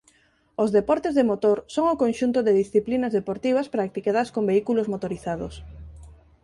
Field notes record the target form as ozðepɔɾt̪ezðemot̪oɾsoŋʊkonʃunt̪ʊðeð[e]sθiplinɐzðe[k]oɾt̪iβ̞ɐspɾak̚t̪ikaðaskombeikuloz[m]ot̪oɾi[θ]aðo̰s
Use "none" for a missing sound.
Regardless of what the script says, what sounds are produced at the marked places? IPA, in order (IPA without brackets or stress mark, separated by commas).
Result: i, p, m, θ